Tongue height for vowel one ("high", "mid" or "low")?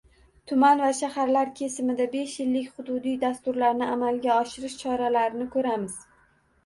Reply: high